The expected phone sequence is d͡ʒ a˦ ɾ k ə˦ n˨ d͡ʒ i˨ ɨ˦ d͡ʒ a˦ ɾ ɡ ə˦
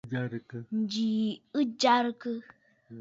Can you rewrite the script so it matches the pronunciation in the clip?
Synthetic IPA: d͡ʒ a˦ ɾ k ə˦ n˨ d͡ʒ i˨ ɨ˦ d͡ʒ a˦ ɾ k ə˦